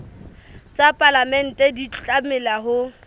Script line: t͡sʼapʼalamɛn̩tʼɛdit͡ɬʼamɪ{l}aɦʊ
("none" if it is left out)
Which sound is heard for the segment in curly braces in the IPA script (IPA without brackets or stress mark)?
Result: l